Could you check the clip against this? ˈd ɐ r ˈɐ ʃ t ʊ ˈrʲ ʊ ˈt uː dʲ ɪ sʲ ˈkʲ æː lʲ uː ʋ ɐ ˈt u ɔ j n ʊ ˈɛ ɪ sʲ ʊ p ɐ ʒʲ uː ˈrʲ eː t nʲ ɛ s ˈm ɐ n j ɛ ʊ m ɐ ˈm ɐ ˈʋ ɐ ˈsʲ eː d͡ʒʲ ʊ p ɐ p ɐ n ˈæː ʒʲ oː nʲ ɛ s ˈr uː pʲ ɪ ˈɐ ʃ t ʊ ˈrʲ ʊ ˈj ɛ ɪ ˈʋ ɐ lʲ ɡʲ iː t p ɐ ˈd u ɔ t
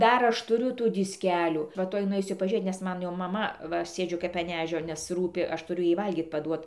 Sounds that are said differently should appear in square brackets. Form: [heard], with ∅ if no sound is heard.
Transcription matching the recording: ˈd ɐ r ˈɐ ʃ t ʊ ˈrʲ ʊ ˈt uː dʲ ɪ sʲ ˈkʲ æː lʲ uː ʋ ɐ ˈt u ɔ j n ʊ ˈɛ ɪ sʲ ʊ p ɐ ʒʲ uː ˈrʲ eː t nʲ ɛ s ˈm ɐ n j ɛ ʊ m ɐ ˈm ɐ ˈʋ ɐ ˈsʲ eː d͡ʒʲ ʊ [k] ɐ p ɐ n ˈæː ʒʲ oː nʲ ɛ s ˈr uː pʲ ɪ ˈɐ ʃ t ʊ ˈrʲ ʊ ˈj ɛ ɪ ˈʋ ɐ lʲ ɡʲ iː t p ɐ ˈd u ɔ t

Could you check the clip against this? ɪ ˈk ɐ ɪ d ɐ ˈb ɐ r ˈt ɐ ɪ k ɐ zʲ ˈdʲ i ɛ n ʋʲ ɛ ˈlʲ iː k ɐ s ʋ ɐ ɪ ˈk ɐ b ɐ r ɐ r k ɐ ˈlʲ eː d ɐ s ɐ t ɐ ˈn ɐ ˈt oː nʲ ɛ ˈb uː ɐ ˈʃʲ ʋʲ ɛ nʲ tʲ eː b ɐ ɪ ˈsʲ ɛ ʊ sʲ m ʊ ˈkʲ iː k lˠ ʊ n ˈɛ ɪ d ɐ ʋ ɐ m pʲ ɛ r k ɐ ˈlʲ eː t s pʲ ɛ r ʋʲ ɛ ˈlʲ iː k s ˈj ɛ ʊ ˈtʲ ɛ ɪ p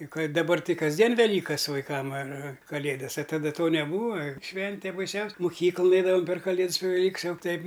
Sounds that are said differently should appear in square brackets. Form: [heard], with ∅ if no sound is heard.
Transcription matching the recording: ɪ ˈk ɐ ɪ d ɐ ˈb ɐ r ˈt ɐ ɪ k ɐ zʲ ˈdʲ i ɛ n ʋʲ ɛ ˈlʲ iː k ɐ s ʋ ɐ ɪ ˈk ɐ [m] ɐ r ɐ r k ɐ ˈlʲ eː d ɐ s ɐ t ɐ [ˈd] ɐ ˈt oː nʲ ɛ ˈb uː ɐ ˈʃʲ ʋʲ ɛ nʲ tʲ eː b ɐ ɪ ˈsʲ ɛ ʊ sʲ m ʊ ˈkʲ iː k lˠ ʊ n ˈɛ ɪ d ɐ ʋ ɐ m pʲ ɛ r k ɐ ˈlʲ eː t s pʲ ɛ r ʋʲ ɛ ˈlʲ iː k s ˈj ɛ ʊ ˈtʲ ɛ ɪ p

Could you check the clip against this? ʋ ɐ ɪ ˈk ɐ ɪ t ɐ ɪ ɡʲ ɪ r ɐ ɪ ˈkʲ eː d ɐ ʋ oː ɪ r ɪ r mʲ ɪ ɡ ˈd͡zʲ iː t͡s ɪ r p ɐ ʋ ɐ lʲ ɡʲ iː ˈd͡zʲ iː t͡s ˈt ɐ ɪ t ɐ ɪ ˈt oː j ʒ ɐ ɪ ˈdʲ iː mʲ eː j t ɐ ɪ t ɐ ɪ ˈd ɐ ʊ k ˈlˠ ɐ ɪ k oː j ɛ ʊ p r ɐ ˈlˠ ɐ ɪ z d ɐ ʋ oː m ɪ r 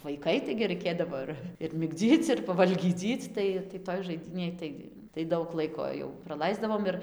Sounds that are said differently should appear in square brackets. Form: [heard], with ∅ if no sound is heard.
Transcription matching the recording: ʋ ɐ ɪ ˈk ɐ ɪ t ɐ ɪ ɡʲ ɪ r ɐ ɪ ˈkʲ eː d ɐ ʋ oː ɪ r ɪ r mʲ ɪ ɡ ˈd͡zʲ iː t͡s ɪ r p ɐ ʋ ɐ lʲ ɡʲ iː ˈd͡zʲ iː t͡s ˈt ɐ ɪ t ɐ ɪ ˈt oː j ʒ ɐ ɪ ˈdʲ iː [nʲ] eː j t ɐ ɪ t ɐ ɪ ˈd ɐ ʊ k ˈlˠ ɐ ɪ k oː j ɛ ʊ p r ɐ ˈlˠ ɐ ɪ z d ɐ ʋ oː m ɪ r

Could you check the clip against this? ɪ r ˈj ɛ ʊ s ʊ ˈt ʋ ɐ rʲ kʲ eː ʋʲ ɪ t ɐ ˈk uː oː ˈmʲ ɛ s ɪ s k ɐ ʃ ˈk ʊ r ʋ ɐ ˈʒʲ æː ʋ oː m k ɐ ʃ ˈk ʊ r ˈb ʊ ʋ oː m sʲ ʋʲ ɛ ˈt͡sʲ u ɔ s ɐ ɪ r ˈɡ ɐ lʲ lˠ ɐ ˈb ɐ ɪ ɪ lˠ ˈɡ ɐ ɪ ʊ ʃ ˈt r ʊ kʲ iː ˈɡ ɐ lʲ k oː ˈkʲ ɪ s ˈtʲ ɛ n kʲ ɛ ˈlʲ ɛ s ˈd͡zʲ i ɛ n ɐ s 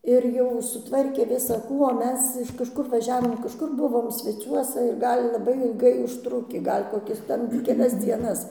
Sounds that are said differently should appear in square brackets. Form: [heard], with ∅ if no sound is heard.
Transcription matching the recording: ɪ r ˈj ɛ ʊ s ʊ ˈt ʋ ɐ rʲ kʲ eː ʋʲ ɪ [s] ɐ ˈk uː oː ˈmʲ ɛ s ɪ [ʃ] k ɐ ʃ ˈk ʊ r ʋ ɐ ˈʒʲ æː ʋ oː m k ɐ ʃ ˈk ʊ r ˈb ʊ ʋ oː m sʲ ʋʲ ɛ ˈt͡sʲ u ɔ s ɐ ɪ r ˈɡ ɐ lʲ lˠ ɐ ˈb ɐ ɪ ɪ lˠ ˈɡ ɐ ɪ ʊ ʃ ˈt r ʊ kʲ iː ˈɡ ɐ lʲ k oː ˈkʲ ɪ s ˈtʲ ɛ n kʲ ɛ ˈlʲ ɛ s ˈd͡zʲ i ɛ n ɐ s

